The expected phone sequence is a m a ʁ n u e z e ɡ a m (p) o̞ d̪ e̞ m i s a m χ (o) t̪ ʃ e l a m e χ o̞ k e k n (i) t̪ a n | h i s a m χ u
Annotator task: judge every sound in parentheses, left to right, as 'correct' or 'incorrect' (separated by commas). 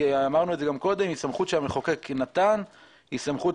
incorrect, incorrect, incorrect